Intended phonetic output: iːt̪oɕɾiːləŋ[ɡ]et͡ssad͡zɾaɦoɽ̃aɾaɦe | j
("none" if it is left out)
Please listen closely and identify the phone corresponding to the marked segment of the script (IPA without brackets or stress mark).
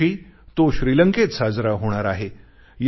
k